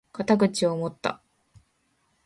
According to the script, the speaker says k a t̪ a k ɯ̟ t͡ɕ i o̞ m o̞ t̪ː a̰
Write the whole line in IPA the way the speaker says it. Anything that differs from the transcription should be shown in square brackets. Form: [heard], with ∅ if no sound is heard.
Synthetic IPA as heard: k a t̪ a [ɡ] ɯ̟ t͡ɕ i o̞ m o̞ t̪ː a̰